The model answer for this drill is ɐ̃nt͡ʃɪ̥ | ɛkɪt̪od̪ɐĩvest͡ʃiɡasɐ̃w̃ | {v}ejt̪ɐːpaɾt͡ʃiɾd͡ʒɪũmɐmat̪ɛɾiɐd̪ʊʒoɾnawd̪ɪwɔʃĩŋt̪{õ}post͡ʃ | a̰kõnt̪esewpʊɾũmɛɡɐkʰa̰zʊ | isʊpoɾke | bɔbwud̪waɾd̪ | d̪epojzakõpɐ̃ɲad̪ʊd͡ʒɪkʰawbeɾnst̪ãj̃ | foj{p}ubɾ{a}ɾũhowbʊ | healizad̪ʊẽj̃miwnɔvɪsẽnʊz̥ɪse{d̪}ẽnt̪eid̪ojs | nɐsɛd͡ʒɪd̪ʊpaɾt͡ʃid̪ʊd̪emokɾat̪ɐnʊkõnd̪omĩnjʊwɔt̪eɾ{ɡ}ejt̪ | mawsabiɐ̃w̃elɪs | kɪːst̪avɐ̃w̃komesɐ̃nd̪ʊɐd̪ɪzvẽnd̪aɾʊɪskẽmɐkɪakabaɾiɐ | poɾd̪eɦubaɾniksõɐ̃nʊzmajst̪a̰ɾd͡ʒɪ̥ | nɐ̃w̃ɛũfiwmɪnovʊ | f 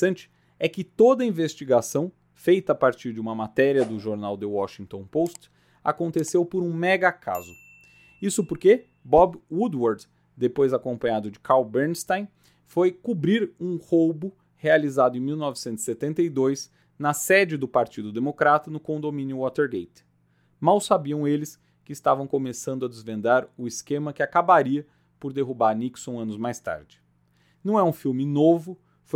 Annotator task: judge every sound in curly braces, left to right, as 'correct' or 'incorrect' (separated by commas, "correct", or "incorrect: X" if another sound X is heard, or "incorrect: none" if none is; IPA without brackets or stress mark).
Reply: incorrect: f, correct, incorrect: k, incorrect: i, incorrect: t̪, correct